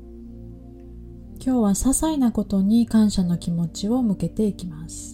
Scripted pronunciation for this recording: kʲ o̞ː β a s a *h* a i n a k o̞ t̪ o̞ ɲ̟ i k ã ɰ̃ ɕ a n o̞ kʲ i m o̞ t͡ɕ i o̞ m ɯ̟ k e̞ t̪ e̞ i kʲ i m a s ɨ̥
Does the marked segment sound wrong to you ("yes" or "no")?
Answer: yes